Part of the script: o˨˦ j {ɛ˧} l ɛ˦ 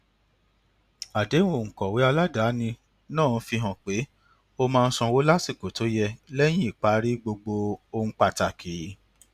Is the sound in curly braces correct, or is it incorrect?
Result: correct